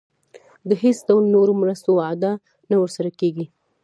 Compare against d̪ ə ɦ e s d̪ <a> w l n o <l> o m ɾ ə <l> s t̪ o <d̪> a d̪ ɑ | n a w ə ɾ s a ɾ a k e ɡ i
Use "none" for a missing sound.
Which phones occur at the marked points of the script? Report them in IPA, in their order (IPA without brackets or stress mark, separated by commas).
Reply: a, ɾ, none, none